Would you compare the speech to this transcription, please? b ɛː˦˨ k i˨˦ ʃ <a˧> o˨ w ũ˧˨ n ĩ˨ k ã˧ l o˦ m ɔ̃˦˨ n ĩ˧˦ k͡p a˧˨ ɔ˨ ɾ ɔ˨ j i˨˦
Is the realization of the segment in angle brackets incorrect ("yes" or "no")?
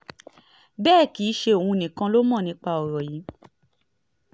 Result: yes